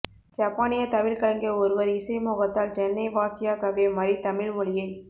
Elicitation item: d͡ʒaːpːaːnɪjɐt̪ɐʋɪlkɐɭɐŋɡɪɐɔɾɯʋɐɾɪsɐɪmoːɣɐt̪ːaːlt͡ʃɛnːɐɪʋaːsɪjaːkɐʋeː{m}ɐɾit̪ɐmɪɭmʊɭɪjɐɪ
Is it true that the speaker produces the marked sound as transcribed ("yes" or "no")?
yes